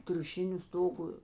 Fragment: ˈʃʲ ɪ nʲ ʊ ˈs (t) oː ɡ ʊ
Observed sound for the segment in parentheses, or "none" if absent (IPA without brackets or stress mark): t